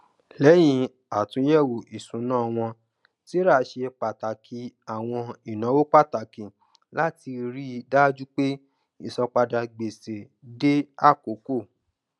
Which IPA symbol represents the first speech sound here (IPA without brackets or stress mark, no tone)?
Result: l